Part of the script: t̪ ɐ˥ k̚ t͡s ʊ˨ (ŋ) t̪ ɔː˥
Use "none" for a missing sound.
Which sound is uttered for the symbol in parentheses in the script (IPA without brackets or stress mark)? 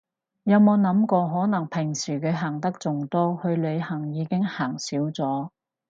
ŋ